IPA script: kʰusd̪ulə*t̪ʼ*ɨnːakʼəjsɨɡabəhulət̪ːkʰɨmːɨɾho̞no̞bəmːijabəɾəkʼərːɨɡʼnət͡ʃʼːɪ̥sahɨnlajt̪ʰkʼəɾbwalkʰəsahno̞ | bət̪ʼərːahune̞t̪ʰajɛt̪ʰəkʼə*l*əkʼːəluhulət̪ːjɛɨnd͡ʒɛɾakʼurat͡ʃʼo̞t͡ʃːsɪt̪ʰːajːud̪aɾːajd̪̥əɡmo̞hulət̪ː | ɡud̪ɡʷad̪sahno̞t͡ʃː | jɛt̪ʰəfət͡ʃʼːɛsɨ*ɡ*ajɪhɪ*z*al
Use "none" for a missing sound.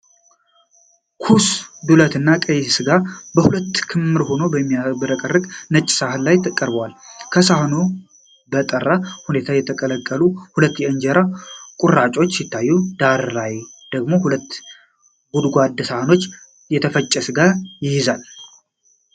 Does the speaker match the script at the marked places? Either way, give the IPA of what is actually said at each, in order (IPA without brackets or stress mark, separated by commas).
t̪, l, ɡ, z